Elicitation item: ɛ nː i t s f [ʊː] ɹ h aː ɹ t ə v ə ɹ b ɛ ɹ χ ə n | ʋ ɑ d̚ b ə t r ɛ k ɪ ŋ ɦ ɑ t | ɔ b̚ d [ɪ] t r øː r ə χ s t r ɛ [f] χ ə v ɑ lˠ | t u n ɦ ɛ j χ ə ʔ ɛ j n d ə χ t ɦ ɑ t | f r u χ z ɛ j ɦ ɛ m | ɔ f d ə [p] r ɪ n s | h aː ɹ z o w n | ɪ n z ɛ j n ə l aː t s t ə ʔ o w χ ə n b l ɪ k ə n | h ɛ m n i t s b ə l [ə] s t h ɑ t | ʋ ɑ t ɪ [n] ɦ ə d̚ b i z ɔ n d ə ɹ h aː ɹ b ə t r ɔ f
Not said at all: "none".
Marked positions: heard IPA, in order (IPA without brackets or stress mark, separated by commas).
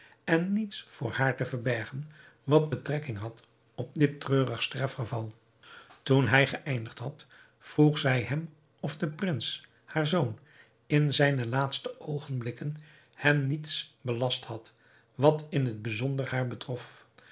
ʊː, ɪ, f, p, ɑ, n